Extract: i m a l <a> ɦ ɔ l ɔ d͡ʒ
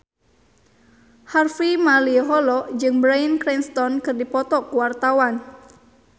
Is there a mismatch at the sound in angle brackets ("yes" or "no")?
yes